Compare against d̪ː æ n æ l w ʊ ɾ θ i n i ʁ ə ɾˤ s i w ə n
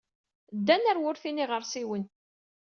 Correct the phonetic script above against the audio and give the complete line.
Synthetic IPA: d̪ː æ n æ ɾ w ʊ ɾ θ i n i ʁ ə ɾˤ s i w ə n